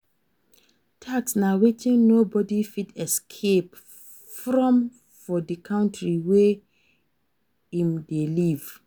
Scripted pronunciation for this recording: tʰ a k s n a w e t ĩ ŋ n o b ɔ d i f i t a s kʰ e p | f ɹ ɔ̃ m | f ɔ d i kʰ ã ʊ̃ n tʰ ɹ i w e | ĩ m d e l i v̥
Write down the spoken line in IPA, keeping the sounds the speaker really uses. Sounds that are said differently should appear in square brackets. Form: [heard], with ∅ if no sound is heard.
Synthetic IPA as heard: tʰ a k s n a w e t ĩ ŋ n o b ɔ d i f i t [ɛ] s kʰ e p | f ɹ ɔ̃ m | f ɔ d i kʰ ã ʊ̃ n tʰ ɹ i w e | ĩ m d e l i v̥